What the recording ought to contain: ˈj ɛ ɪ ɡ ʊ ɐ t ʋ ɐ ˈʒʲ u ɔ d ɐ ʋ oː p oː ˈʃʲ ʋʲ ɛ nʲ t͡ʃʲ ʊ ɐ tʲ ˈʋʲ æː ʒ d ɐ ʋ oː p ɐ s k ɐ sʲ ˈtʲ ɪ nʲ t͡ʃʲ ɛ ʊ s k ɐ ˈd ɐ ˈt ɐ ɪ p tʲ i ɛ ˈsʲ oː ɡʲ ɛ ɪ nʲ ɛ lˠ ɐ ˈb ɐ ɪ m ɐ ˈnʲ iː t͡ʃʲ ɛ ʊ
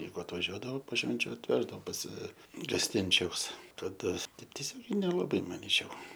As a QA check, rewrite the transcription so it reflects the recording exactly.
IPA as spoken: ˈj ɛ ɪ ɡ ʊ ɐ t ʋ ɐ ˈʒʲ u ɔ d ɐ ʋ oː p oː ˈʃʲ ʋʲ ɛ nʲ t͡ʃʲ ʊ ɐ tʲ ˈʋʲ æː ʒ d ɐ ʋ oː p ɐ s ɡ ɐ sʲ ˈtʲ ɪ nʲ t͡ʃʲ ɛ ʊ s k ɐ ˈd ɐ ˈt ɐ ɪ p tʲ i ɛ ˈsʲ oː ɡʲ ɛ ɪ nʲ ɛ lˠ ɐ ˈb ɐ ɪ m ɐ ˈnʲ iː t͡ʃʲ ɛ ʊ